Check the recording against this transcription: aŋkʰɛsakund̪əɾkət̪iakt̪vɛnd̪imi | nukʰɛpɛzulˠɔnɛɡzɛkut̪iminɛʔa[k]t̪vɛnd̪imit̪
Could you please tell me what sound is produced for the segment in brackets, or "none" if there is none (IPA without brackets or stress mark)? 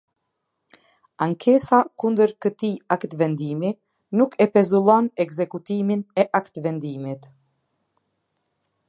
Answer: k